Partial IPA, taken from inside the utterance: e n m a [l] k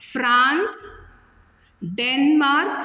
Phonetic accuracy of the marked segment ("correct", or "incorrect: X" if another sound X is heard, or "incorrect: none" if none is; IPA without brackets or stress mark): incorrect: ɾ